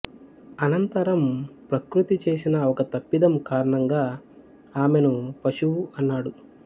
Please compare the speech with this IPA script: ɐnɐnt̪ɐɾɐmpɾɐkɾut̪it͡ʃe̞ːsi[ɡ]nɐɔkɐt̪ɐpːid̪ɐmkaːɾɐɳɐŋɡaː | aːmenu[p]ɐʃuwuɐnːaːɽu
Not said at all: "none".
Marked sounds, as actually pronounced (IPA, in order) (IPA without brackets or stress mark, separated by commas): none, p